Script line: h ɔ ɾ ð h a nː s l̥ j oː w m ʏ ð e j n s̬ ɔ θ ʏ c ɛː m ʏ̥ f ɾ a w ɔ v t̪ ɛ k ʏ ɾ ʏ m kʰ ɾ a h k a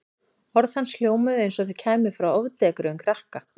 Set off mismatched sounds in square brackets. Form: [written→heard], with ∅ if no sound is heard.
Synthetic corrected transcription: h ɔ ɾ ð h a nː s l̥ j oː w m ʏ ð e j n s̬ ɔ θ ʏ [c→cʰ] ɛː m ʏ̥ f ɾ a w ɔ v t̪ ɛ k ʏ ɾ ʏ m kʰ ɾ a h k a